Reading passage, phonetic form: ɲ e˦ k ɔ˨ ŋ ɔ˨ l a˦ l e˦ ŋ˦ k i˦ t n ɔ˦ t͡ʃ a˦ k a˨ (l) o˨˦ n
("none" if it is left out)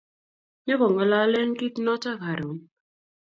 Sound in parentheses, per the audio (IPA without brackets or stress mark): ɾ